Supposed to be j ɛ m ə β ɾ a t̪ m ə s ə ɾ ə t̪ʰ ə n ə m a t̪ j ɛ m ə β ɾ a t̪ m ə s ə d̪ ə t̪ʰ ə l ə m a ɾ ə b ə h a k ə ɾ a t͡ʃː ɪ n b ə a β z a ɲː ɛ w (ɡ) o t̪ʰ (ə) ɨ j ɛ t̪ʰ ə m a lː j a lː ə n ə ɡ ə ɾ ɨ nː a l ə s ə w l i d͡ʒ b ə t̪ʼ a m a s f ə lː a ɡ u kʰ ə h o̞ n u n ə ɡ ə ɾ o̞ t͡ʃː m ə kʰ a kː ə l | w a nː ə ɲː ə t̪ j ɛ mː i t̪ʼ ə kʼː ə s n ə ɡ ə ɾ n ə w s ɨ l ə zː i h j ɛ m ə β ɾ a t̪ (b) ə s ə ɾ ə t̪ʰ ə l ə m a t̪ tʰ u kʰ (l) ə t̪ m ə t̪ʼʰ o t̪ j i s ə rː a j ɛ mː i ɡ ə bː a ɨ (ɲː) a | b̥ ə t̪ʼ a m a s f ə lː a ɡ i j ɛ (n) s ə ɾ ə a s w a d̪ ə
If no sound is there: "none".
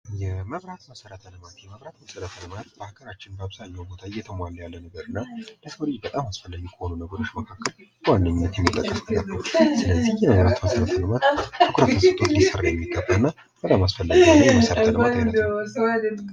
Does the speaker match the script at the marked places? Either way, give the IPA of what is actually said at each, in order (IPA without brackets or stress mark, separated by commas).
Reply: b, a, m, ɾ, nː, m